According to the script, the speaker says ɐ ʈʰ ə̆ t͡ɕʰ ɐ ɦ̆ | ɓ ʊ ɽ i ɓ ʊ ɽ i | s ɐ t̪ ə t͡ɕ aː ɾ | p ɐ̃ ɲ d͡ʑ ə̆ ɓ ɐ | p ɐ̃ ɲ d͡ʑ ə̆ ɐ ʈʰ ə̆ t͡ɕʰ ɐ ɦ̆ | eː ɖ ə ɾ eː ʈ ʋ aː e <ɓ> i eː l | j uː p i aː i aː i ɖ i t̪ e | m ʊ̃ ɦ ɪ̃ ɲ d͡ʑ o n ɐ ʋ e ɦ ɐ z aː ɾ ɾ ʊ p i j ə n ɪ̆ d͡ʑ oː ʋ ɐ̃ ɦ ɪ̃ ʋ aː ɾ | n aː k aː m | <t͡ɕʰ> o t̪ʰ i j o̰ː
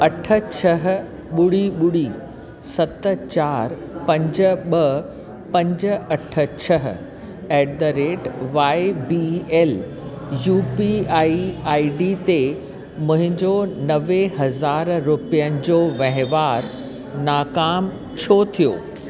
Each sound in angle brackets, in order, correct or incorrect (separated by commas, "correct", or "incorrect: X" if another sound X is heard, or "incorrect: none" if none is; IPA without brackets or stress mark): incorrect: b, correct